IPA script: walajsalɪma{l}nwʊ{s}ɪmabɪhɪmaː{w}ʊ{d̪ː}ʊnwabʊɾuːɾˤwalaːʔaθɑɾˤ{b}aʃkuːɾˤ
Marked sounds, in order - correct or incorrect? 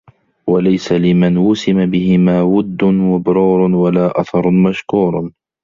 incorrect: none, correct, correct, correct, incorrect: m

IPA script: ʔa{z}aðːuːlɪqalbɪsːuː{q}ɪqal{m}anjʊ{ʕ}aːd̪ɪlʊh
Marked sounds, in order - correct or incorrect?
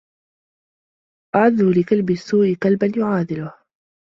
incorrect: ʕ, incorrect: ʔ, incorrect: b, correct

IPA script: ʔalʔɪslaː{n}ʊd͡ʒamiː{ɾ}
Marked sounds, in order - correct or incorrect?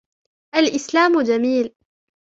incorrect: m, incorrect: l

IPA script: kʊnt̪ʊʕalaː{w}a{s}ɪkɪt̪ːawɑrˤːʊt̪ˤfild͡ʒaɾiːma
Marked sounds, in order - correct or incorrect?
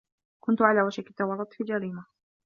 correct, incorrect: ʃ

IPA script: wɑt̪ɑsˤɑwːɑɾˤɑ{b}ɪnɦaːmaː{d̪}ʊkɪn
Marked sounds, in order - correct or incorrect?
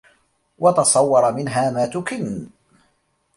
incorrect: m, incorrect: t̪

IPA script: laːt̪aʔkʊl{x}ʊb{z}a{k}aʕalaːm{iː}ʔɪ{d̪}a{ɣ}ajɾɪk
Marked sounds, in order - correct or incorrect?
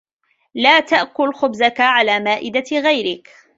correct, correct, correct, incorrect: aː, correct, correct

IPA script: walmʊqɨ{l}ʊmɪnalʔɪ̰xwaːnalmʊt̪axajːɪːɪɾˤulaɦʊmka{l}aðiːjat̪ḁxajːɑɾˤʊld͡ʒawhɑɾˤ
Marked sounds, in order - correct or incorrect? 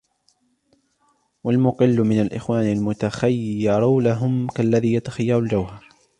incorrect: lː, incorrect: lː

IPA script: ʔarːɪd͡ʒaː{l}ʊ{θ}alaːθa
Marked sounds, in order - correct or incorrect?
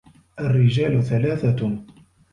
correct, correct

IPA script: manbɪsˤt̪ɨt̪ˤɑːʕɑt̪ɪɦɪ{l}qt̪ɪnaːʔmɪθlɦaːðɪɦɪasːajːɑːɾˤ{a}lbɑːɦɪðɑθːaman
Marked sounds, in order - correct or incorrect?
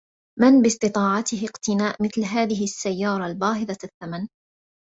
incorrect: none, incorrect: ɑ

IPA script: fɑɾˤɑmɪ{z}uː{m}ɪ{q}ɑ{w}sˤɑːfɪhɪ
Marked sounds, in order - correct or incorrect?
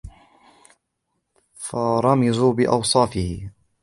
correct, incorrect: b, incorrect: ʔ, correct

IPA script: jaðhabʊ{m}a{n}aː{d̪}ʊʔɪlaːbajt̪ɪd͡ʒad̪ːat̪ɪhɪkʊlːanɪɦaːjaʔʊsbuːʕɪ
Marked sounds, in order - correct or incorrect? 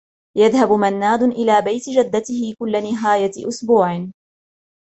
correct, incorrect: nː, correct

